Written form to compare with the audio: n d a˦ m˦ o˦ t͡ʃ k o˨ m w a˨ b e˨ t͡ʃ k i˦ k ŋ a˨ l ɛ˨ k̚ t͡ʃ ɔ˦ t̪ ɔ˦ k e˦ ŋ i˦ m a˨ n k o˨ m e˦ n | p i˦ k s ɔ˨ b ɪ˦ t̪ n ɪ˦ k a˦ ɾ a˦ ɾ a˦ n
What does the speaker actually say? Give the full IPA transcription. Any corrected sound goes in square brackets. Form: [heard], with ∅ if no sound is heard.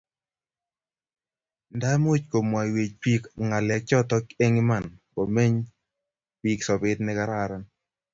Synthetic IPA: n d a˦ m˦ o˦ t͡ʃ k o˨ m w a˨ [w] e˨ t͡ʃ [p] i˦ k ŋ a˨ l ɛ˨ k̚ t͡ʃ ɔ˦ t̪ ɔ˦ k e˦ ŋ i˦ m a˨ n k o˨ m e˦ [ɲ] | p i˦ k s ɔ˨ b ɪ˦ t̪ n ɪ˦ k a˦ ɾ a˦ ɾ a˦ n